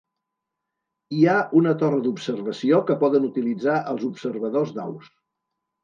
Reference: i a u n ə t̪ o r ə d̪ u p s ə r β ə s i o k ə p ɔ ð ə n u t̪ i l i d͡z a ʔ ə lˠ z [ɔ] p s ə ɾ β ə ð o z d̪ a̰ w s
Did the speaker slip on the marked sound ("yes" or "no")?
yes